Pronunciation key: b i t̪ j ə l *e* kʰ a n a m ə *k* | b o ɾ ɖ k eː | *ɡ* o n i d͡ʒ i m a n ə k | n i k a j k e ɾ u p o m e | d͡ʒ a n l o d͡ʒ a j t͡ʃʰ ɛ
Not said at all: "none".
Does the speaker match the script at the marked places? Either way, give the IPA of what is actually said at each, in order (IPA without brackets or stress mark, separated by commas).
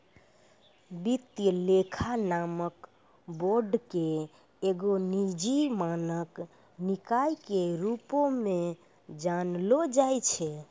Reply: e, k, ɡ